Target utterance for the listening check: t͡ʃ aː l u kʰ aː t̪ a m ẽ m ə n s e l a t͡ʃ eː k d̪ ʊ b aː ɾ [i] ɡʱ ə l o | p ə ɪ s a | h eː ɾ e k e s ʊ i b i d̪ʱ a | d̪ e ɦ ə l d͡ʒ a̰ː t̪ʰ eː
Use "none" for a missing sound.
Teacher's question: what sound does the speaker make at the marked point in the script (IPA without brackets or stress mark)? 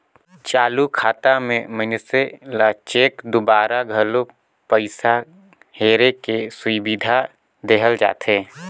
a